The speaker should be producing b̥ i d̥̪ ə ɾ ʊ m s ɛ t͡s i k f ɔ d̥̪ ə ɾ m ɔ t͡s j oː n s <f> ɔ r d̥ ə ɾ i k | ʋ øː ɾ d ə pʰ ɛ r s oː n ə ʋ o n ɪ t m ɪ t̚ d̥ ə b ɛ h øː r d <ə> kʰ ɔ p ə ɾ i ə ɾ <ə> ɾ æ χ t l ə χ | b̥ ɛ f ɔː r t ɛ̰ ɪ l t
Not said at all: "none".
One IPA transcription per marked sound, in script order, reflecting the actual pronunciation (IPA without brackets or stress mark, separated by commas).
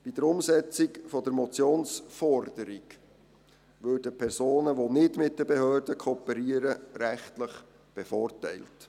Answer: f, ə, ə